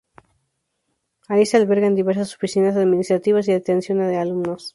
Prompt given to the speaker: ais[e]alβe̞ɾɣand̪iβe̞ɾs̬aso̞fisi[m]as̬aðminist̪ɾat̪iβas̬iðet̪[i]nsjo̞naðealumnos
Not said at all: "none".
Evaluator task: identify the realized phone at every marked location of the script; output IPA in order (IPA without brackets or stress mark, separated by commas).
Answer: e, n, e